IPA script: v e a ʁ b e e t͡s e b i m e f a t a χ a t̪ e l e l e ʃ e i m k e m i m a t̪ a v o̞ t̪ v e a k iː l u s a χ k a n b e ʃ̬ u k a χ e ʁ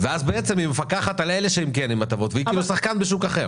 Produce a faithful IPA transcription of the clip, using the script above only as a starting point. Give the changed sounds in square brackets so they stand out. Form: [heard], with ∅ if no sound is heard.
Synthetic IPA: v e a [z] b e e t͡s e [m] i m e f a [k] a χ a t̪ [a] l e l e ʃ e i m k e [n] i m a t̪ a v o̞ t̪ v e [i] k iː l u s a χ k a n b e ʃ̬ u k a χ e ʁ